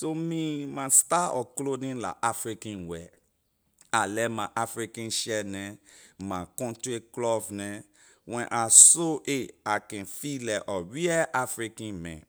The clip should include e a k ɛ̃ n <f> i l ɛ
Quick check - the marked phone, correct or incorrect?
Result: correct